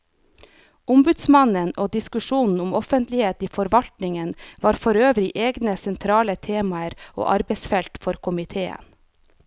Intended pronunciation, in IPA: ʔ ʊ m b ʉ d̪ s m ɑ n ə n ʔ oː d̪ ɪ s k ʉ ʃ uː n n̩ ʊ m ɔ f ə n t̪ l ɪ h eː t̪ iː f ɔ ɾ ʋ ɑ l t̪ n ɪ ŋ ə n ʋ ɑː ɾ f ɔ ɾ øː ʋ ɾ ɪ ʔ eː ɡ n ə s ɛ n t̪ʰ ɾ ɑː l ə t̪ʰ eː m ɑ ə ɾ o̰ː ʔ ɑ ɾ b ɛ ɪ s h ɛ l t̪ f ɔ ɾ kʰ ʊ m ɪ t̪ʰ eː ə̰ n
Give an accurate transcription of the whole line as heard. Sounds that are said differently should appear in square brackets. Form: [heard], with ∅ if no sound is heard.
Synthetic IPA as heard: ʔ ʊ m b ʉ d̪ s m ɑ n ə n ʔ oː d̪ ɪ s k ʉ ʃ uː n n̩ ʊ m ɔ f ə n t̪ l ɪ h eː t̪ iː f ɔ ɾ ʋ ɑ l t̪ n ɪ ŋ ə n ʋ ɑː ɾ f ɔ ɾ øː ʋ ɾ ɪ ʔ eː ɡ n ə s ɛ n t̪ʰ ɾ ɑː l ə t̪ʰ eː m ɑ ə ɾ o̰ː ʔ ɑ ɾ b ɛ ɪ s [f] ɛ l t̪ f ɔ ɾ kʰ ʊ m ɪ t̪ʰ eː ə̰ n